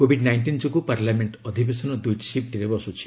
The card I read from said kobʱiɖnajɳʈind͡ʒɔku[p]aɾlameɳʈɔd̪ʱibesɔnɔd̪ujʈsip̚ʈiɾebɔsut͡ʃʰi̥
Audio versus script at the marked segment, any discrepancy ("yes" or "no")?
no